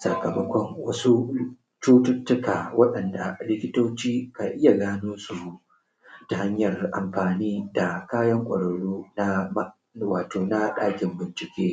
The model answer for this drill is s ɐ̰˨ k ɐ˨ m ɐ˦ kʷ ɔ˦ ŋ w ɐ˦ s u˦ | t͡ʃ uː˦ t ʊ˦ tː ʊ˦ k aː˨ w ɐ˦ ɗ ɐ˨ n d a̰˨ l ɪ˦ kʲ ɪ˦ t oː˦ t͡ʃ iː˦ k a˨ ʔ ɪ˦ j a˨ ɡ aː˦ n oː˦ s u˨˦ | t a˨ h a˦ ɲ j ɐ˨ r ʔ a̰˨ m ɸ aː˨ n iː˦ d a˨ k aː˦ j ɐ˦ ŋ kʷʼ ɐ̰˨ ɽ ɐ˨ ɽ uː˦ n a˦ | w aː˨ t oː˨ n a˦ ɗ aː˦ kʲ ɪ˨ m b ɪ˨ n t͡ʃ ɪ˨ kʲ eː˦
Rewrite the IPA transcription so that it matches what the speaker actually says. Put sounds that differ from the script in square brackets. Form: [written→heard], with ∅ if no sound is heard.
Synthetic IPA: s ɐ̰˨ k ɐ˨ m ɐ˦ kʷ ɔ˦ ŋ w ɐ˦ s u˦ | t͡ʃ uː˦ t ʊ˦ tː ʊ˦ k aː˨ w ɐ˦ ɗ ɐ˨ n d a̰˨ l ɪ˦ kʲ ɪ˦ t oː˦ t͡ʃ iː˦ k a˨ ʔ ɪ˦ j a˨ ɡ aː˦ n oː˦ s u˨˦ | t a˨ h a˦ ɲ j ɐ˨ r ʔ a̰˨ m ɸ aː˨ n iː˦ d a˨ k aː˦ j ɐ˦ ŋ kʷʼ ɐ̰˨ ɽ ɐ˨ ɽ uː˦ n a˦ | w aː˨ t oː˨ n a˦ ɗ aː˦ kʲ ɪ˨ m b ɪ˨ n t͡ʃ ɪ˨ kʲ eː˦